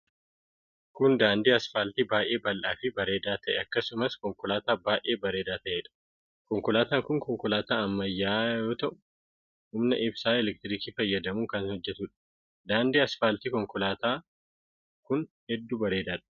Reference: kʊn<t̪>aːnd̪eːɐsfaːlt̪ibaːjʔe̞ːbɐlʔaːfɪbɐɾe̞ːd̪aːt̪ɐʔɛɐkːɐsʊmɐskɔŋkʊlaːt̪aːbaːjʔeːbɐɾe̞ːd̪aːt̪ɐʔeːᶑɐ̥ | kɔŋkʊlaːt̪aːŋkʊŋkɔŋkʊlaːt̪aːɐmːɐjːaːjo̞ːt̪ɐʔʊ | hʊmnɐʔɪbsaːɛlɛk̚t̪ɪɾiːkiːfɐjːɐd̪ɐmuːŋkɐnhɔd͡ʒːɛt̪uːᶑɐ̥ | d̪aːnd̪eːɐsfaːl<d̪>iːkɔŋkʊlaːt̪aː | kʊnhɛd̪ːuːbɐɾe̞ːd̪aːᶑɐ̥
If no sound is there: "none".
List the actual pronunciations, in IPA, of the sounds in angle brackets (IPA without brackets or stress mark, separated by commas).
d̪, t̪